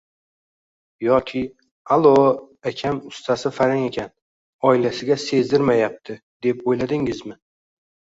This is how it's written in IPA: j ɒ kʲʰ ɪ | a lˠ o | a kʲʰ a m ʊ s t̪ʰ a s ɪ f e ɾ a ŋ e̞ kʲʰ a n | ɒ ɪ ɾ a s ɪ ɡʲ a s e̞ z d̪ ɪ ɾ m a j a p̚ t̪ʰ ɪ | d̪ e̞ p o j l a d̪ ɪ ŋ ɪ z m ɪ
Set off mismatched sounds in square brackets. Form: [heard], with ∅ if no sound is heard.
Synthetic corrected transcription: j ɒ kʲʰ ɪ | a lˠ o | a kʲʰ a m ʊ s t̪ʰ a s ɪ f [a] ɾ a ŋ e̞ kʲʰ a n | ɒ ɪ [l] a s ɪ ɡʲ a s e̞ z d̪ ɪ ɾ m a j a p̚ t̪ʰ ɪ | d̪ e̞ p o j l a d̪ ɪ ŋ ɪ z m ɪ